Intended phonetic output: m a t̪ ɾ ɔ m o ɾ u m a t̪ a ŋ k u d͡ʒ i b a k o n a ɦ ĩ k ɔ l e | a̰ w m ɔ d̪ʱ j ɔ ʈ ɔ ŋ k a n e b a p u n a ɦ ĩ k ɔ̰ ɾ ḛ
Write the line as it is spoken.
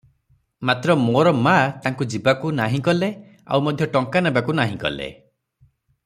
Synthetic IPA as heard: m a t̪ ɾ ɔ m o ɾ ɔ m a t̪ a ŋ k u d͡ʒ i b a k u n a ɦ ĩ k ɔ l e | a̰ w m ɔ d̪ʱ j ɔ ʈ ɔ ŋ k a n e b a k u n a ɦ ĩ k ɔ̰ l ḛ

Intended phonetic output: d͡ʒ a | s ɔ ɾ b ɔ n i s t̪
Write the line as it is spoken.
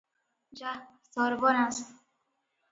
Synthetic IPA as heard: d͡ʒ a | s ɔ ɾ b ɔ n a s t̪

